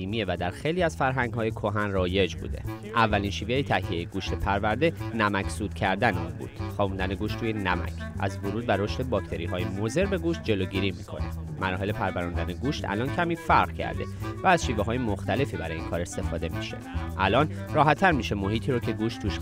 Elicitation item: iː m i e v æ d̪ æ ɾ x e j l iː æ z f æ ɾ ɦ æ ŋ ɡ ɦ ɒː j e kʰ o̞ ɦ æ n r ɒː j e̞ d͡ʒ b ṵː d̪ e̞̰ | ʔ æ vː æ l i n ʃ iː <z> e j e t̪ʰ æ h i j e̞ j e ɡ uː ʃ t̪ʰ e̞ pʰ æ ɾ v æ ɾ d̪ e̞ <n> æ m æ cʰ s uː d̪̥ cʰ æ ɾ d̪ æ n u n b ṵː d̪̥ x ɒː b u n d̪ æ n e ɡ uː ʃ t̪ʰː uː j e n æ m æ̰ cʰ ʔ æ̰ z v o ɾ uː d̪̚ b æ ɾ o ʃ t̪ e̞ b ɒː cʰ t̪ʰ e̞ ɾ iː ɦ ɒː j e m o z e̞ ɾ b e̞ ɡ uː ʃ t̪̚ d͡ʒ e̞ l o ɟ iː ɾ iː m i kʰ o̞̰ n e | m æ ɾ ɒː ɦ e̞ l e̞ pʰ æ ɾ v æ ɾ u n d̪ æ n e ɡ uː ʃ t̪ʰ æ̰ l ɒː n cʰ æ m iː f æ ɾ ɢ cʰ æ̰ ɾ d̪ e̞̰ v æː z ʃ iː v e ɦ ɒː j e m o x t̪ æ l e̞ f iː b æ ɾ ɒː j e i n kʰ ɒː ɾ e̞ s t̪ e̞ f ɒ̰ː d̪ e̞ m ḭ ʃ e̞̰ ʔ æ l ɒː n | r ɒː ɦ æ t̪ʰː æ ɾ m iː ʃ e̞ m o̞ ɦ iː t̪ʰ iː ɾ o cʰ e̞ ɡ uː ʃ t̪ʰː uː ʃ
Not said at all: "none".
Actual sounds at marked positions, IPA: v, n

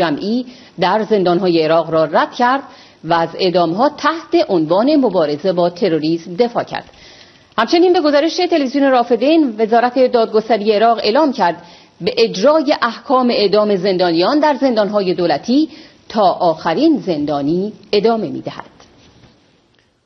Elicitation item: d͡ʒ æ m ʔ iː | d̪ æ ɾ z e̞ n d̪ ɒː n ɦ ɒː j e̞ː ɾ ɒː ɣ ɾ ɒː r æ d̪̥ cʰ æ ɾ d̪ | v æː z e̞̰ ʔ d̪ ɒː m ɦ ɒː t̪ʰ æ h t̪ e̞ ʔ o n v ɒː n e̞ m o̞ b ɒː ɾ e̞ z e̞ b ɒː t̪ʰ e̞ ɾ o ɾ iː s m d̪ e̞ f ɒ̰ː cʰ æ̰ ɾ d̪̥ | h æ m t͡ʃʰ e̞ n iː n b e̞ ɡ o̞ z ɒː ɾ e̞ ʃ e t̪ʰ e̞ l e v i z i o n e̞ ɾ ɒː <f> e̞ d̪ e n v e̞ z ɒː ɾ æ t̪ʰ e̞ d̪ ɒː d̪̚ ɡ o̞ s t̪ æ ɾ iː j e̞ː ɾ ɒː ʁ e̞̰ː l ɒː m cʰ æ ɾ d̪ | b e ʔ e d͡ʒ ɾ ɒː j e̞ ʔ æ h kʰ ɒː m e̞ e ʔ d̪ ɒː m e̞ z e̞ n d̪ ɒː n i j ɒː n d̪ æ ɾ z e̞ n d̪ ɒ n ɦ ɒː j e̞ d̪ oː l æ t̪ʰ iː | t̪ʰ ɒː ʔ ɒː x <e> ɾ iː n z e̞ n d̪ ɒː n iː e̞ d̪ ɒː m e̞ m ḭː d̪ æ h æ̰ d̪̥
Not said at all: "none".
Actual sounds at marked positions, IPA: f, æ

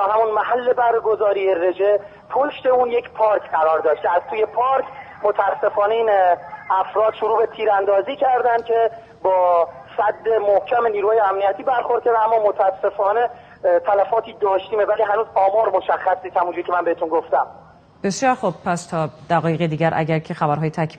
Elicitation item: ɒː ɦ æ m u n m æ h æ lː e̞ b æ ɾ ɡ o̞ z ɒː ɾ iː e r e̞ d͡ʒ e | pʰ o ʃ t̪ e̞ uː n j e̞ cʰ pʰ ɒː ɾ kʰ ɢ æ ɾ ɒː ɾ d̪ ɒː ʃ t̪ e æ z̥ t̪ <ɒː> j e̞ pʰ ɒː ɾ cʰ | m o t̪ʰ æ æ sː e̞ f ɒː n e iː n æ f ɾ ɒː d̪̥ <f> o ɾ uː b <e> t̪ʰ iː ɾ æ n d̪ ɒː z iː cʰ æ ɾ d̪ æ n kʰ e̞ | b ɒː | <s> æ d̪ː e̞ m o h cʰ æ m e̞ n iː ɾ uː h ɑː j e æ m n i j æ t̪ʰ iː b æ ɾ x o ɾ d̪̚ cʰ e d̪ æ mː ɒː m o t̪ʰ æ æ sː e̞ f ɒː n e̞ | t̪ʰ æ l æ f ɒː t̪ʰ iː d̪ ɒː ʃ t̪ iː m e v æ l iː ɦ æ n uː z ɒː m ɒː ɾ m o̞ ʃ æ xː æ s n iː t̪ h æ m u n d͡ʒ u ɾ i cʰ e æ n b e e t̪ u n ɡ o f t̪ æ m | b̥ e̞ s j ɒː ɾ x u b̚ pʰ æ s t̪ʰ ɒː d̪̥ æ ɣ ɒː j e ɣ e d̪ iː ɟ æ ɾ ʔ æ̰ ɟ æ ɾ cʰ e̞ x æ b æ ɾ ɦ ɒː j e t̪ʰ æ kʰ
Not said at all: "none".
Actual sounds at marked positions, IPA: uː, ʃ, e, s

